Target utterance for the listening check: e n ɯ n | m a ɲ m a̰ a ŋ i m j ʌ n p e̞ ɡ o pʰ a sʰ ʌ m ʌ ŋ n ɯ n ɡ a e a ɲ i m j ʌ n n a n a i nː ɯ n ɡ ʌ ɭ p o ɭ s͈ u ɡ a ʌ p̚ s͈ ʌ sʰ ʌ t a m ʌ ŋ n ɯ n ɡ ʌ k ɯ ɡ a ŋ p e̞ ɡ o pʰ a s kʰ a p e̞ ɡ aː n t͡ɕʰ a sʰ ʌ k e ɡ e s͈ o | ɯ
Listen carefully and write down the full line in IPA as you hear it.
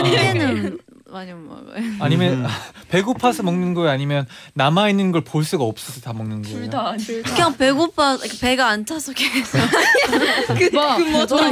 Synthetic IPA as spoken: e n ɯ n | m a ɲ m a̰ a ɲ i m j ʌ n p e̞ ɡ o pʰ a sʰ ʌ m ʌ ŋ n ɯ n ɡ ʌ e a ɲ i m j ʌ n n a m a i nː ɯ n ɡ ʌ ɭ p o ɭ s͈ u ɡ a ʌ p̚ s͈ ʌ sʰ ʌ t a m ʌ ŋ n ɯ n ɡ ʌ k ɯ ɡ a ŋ p e̞ ɡ o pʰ a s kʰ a p e̞ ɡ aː n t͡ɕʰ a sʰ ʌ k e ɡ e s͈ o | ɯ